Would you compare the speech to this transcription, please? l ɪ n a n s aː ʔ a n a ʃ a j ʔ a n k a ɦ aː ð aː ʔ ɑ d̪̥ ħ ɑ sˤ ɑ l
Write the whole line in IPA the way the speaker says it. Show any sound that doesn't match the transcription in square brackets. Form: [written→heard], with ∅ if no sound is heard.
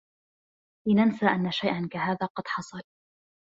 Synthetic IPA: l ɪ n a n s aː ʔ a [n→nː] a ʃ a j ʔ a n k a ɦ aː ð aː [ʔ→q] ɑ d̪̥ ħ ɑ sˤ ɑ l